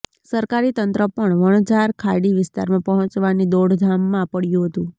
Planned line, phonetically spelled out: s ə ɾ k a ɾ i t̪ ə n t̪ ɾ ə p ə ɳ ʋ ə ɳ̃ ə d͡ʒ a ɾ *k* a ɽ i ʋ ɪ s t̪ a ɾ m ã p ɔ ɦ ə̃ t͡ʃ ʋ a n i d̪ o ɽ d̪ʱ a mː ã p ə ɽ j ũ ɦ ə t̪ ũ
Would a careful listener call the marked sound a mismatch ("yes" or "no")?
yes